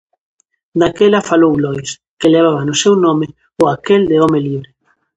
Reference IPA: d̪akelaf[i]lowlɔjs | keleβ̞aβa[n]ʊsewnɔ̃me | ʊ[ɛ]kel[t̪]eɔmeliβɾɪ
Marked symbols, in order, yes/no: no, yes, no, no

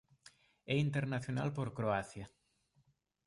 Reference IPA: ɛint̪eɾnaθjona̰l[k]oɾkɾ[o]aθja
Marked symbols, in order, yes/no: no, yes

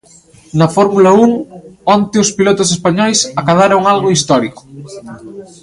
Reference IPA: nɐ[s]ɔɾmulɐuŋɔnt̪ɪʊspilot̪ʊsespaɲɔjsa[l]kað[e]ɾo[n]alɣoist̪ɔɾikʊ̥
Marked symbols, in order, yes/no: no, no, no, no

